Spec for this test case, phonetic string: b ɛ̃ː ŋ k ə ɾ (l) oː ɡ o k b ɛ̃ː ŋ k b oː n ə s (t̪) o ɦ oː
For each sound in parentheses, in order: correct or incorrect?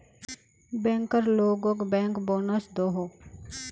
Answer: correct, incorrect

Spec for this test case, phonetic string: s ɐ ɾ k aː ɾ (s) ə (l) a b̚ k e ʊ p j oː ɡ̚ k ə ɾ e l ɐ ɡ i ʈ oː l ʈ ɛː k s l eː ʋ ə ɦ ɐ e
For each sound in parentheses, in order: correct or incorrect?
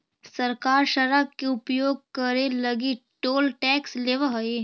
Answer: incorrect, incorrect

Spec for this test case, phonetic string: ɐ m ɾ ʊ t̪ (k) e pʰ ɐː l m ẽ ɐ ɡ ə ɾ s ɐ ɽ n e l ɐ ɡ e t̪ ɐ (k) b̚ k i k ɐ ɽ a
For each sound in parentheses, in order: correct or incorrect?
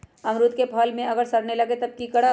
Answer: correct, incorrect

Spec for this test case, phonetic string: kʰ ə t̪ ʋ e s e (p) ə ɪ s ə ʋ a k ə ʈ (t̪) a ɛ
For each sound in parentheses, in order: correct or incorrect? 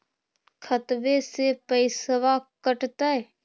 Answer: correct, correct

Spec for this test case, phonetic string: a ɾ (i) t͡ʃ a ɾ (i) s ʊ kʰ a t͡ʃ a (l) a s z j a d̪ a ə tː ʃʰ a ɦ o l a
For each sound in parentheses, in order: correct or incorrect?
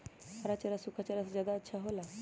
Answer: incorrect, incorrect, incorrect

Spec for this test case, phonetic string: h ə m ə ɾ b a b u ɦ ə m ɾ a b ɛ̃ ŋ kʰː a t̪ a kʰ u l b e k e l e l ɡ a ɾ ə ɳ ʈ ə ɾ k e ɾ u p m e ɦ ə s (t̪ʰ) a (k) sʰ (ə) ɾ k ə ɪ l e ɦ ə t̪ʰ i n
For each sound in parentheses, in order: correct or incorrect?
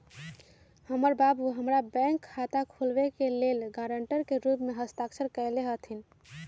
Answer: incorrect, correct, correct

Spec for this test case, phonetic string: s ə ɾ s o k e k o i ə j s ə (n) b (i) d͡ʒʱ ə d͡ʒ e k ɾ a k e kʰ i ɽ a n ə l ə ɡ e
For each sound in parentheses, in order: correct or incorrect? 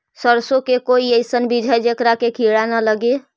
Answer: correct, correct

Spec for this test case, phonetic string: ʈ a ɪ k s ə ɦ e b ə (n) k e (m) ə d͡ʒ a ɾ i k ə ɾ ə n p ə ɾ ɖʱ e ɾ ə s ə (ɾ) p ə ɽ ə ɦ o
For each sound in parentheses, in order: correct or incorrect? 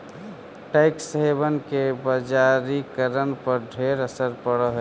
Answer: correct, incorrect, correct

